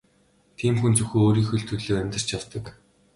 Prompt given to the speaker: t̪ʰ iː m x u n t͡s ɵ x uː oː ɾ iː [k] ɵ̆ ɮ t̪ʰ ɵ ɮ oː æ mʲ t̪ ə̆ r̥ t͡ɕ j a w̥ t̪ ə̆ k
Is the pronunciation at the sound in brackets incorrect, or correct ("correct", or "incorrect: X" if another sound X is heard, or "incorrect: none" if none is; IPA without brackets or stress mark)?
incorrect: x